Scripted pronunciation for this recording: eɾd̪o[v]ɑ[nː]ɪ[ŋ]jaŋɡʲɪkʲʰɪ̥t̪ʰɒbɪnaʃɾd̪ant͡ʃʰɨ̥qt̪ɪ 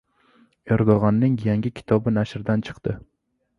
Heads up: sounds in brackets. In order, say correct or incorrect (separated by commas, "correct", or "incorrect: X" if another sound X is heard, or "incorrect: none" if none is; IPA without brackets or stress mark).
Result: incorrect: ʁ, correct, correct